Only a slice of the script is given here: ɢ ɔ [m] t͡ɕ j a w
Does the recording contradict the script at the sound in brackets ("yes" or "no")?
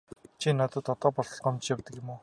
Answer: no